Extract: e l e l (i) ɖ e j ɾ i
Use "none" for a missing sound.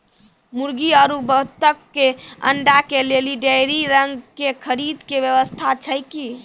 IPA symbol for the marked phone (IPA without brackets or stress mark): i